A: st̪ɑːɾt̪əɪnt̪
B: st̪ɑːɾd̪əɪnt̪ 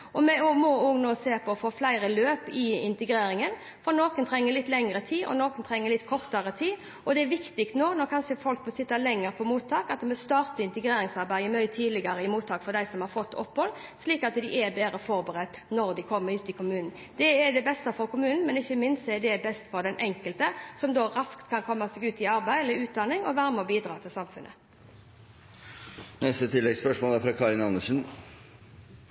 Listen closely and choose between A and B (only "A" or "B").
A